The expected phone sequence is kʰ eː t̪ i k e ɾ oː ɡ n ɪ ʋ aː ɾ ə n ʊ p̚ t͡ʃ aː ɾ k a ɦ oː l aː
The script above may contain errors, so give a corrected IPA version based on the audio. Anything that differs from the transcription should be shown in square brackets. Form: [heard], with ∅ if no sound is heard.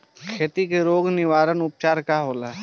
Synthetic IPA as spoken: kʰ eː t̪ i k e ɾ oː ɡ n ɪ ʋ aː ɾ ə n ʊ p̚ t͡ʃ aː ɾ k a ɦ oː l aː